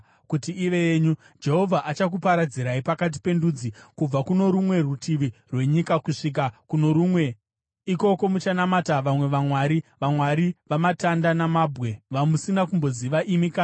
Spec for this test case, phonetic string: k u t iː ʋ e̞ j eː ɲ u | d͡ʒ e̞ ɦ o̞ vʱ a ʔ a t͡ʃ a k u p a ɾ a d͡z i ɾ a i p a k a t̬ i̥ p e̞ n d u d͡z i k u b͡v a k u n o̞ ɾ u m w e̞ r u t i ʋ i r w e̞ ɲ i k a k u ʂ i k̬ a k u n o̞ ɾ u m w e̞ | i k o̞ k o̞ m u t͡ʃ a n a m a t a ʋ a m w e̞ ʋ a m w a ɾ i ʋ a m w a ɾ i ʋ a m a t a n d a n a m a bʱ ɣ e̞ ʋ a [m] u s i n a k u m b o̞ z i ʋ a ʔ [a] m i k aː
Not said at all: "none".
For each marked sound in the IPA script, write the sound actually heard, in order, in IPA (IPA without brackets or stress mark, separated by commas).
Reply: m, i